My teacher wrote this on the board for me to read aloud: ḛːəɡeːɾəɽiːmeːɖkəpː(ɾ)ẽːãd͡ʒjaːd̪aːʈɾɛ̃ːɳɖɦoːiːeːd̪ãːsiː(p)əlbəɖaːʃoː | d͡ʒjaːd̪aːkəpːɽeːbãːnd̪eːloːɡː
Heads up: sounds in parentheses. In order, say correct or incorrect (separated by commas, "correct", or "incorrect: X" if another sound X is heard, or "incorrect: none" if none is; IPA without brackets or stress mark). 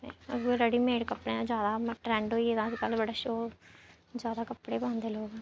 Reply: incorrect: ɽ, incorrect: k